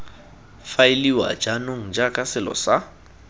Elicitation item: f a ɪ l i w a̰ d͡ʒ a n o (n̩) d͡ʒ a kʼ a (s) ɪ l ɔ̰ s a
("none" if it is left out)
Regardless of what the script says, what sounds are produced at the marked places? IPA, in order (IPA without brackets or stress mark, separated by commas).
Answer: ŋ̩, s